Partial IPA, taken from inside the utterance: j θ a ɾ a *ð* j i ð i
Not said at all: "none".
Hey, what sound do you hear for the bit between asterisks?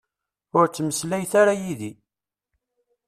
none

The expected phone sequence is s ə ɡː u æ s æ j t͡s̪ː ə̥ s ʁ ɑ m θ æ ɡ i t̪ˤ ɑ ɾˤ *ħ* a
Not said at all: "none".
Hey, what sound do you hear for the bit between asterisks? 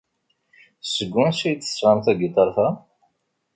θ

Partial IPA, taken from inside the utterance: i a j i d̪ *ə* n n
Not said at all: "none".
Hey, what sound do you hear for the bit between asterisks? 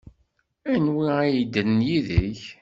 ə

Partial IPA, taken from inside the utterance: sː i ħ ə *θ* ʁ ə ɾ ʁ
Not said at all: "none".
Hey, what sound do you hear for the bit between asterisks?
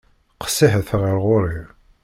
θ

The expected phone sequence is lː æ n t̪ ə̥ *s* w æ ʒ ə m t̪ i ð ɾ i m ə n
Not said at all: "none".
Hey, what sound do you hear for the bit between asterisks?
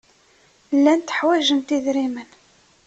ħ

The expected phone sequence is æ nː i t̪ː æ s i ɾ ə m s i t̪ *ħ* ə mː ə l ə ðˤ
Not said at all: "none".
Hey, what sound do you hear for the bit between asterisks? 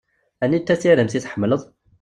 ħ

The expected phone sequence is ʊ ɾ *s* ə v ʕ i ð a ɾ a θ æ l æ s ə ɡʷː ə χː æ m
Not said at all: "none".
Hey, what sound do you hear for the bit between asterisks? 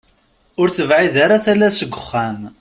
θ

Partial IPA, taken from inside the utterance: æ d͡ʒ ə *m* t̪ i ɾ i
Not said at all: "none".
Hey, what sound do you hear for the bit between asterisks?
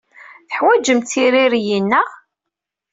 m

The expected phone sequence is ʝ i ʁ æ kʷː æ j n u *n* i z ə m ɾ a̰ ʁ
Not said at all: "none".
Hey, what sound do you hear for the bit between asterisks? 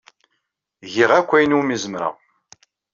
m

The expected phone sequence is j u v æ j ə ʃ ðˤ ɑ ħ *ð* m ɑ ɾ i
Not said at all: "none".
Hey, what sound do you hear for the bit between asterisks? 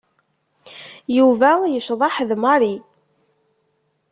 ð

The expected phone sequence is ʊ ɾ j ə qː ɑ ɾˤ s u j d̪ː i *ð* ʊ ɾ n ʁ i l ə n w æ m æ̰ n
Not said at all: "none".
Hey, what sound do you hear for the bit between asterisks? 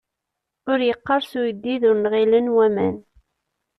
ð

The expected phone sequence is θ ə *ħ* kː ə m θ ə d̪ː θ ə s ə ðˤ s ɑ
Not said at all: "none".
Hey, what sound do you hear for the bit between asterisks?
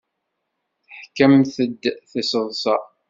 ħ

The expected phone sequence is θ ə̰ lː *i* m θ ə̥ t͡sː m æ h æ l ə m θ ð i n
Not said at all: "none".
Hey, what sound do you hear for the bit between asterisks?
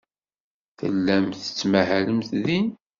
æ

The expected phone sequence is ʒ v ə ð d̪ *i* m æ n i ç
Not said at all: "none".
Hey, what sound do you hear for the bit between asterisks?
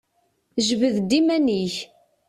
i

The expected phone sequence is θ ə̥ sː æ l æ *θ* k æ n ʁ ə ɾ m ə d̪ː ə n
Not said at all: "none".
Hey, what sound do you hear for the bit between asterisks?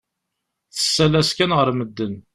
s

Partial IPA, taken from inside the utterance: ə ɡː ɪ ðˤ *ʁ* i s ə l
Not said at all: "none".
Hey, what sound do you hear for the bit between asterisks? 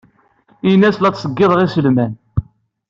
ʁ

